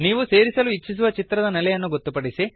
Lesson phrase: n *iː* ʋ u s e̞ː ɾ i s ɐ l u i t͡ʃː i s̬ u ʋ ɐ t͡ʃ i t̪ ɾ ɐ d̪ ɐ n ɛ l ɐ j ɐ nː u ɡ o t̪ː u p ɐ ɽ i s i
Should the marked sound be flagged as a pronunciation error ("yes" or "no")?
no